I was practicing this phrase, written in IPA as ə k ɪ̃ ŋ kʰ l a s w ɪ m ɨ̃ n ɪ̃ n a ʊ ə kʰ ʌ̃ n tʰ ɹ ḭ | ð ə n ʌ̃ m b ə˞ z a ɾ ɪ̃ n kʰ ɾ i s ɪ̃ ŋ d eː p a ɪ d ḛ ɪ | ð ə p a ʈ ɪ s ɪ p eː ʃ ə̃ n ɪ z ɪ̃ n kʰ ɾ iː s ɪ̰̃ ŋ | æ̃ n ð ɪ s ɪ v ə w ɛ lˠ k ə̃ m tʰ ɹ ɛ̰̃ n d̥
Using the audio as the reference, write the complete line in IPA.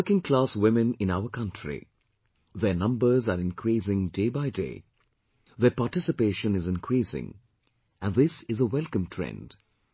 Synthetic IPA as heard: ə k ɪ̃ ŋ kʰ l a s w ɪ m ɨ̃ n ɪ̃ n a ʊ ə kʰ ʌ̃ n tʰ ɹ ḭ | ð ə n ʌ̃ m b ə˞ z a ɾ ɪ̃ n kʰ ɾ i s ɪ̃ ŋ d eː b a ɪ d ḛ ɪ | ð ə p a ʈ ɪ s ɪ p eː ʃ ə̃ n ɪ z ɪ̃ n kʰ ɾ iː s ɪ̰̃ ŋ | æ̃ n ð ɪ s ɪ z ə w ɛ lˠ k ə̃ m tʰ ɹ ɛ̰̃ n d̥